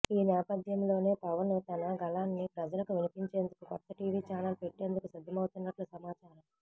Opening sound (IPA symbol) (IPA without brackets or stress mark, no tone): iː